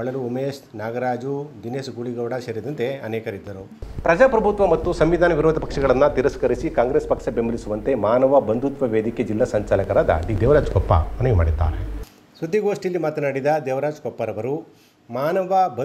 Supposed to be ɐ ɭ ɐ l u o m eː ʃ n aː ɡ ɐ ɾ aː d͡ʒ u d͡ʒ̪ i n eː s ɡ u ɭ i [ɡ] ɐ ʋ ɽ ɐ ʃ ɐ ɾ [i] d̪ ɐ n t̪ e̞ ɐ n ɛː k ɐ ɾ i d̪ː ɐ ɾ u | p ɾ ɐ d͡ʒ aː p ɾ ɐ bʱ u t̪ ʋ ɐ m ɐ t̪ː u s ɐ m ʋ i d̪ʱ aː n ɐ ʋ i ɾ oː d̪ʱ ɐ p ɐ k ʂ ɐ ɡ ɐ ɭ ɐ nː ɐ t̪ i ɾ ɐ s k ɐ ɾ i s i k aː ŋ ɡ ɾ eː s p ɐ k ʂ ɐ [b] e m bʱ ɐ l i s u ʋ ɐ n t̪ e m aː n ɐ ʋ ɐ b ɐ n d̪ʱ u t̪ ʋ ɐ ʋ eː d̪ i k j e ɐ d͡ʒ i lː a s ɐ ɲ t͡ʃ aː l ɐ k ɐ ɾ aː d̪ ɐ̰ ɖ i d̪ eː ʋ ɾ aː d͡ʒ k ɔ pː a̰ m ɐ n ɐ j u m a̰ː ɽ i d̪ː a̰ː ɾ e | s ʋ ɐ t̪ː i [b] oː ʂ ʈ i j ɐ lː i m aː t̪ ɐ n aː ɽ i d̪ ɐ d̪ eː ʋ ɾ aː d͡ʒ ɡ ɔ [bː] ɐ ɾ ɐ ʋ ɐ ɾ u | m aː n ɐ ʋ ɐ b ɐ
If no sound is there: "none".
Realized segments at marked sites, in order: ɡ, i, b, ɡ, pː

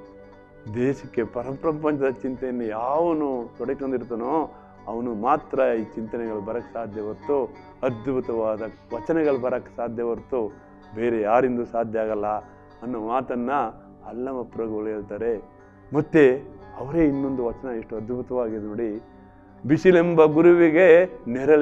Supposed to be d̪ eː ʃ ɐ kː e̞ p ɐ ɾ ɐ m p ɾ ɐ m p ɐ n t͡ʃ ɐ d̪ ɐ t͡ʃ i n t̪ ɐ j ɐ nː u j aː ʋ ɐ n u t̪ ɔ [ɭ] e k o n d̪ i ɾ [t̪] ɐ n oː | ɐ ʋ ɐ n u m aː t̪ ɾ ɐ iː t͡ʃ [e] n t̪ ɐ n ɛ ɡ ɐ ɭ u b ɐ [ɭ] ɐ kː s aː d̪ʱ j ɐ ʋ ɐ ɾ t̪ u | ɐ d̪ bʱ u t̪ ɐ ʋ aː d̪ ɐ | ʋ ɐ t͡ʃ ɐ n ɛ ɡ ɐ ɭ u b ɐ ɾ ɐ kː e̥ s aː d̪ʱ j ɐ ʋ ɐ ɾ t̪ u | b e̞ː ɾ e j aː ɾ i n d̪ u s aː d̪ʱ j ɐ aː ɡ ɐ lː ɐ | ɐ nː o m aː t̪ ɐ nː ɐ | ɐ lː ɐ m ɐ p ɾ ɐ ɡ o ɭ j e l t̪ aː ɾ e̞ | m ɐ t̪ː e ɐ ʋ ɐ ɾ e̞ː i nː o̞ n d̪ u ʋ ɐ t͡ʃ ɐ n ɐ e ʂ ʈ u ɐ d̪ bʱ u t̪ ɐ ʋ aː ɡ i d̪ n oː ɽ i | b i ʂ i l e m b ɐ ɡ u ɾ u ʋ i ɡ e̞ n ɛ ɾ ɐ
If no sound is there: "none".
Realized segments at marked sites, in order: ɽ, t̪, i, ɾ

